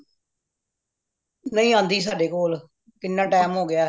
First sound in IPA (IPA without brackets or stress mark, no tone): n